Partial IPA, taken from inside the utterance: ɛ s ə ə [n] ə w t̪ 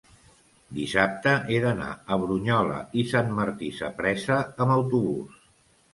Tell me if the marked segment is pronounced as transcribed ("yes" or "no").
no